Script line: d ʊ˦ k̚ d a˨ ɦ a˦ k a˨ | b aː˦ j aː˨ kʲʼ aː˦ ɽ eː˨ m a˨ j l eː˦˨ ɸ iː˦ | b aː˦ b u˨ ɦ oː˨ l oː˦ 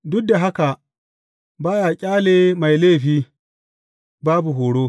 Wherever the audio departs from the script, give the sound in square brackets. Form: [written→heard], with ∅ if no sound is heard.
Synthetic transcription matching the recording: d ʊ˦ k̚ d a˨ ɦ a˦ k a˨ | b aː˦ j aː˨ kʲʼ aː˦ [ɽ→l] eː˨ m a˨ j l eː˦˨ ɸ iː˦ | b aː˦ b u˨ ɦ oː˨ [l→ɽ] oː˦